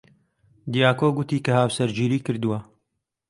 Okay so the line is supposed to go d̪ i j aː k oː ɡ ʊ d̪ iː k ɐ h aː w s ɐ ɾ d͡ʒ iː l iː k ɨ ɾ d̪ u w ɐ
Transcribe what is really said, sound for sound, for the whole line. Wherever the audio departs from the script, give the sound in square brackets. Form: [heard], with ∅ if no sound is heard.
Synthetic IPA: d̪ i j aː k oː ɡ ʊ [t̪] iː k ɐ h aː w s ɐ ɾ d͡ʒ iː [ɾ] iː k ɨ ɾ d̪ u w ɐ